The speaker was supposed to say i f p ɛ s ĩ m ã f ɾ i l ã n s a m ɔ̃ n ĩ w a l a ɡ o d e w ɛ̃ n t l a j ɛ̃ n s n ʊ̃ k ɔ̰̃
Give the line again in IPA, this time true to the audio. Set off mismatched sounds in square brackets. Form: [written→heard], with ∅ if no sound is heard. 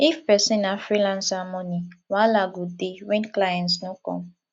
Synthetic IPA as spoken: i f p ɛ s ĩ [m→n] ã f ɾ i l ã n s a m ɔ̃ n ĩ w a l a ɡ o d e w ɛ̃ n [t→k] l a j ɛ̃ n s n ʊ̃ k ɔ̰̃

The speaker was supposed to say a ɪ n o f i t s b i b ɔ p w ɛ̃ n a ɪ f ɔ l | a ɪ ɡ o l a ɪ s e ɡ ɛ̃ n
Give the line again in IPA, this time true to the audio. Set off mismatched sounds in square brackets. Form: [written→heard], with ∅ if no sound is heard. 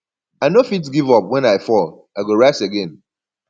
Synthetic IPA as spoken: a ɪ n o f i t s [b→ɡ] i [b→v] ɔ p w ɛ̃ n a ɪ f ɔ l | a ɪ ɡ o [l→ɹ] a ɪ s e ɡ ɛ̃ n

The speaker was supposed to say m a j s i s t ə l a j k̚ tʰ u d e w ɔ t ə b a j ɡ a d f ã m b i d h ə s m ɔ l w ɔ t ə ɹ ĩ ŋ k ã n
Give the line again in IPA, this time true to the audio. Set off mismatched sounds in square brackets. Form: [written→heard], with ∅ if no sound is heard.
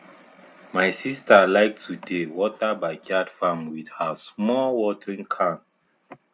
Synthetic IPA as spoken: m a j s i s t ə l a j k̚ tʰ u d e w ɔ t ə b a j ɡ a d f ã m [b→w] i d h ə s m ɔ l w ɔ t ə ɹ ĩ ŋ [k→kʰ] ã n

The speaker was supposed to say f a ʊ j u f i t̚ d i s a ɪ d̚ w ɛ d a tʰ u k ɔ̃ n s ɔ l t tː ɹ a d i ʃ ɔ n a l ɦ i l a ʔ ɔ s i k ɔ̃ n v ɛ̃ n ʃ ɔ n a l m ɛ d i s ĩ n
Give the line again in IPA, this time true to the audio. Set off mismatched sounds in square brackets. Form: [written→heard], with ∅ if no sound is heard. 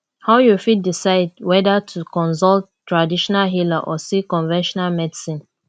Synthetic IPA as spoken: [f→h] a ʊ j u f i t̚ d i s a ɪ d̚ w ɛ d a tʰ u k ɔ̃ n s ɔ l t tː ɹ a d i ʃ ɔ n a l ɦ i l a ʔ ɔ s i k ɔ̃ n v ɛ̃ n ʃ ɔ n a l m ɛ d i s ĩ n

